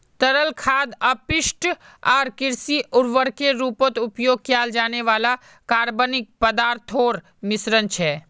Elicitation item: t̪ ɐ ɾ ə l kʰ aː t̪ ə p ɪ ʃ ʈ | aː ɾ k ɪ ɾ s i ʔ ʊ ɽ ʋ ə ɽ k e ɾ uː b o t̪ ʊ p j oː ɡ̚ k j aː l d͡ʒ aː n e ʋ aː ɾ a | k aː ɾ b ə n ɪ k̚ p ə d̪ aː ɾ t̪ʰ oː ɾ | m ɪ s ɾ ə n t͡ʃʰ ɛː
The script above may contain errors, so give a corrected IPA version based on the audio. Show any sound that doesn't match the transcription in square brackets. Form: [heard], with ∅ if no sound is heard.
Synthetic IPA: t̪ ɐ ɾ ə l kʰ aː [d̪] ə p ɪ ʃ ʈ | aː ɾ k ɪ ɾ s i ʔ ʊ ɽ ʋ ə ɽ k e ɾ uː [p] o t̪ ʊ p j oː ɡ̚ k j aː l d͡ʒ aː n e ʋ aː [l] a | k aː ɾ b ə n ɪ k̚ p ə d̪ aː ɾ t̪ʰ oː ɾ | m ɪ s ɾ ə n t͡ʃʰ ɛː